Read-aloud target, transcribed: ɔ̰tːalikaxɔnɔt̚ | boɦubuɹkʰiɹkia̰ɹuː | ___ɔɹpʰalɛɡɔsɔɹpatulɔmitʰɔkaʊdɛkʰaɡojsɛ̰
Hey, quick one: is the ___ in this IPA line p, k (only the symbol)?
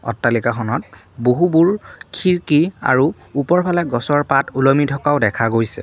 p